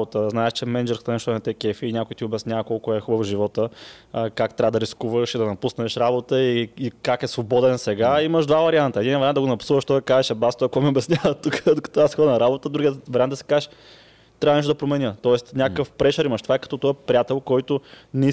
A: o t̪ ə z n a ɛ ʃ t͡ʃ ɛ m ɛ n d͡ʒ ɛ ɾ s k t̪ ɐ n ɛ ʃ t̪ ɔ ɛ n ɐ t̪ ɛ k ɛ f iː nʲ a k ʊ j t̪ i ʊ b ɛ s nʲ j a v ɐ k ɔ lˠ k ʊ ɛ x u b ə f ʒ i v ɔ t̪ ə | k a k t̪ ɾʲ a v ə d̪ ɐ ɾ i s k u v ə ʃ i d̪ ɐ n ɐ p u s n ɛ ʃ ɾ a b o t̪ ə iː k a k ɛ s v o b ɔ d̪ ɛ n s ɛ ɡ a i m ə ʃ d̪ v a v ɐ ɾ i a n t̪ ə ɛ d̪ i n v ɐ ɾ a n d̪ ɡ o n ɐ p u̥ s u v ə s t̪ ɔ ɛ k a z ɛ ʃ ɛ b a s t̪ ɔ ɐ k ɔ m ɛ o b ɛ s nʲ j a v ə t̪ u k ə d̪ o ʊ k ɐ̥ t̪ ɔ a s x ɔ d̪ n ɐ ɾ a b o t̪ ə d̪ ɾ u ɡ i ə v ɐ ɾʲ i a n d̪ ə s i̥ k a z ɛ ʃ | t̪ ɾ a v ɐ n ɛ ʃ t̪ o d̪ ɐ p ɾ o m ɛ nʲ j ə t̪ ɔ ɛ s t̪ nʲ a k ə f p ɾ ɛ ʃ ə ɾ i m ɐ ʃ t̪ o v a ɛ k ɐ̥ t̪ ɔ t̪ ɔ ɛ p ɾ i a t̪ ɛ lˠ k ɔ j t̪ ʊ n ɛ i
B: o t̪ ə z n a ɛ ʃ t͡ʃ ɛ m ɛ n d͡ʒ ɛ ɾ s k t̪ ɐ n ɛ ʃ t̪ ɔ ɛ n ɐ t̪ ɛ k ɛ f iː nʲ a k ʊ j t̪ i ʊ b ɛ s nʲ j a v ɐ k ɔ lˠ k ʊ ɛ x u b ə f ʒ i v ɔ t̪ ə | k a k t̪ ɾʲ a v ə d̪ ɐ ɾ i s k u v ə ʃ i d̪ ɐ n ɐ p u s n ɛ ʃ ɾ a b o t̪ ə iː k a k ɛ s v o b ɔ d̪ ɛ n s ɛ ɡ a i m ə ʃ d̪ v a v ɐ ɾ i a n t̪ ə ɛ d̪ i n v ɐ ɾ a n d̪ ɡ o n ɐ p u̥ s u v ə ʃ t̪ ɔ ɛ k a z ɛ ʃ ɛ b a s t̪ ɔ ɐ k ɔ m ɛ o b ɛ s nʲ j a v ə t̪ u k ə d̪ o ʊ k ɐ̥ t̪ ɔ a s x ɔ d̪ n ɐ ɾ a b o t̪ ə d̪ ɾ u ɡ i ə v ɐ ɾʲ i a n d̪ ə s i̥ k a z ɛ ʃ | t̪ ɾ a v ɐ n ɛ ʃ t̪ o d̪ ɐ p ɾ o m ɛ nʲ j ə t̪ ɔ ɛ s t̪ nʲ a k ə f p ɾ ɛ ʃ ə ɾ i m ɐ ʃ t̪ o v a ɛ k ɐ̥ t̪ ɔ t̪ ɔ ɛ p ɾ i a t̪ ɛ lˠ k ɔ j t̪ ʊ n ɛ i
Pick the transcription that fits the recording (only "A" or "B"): B